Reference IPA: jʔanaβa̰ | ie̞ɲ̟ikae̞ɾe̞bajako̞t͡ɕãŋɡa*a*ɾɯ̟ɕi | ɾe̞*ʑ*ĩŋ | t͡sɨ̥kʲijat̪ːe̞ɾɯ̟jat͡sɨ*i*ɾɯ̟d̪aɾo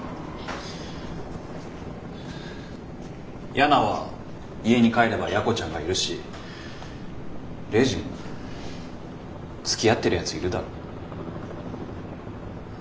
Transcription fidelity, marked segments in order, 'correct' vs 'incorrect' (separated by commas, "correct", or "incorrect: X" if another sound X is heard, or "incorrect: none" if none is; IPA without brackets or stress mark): incorrect: i, correct, correct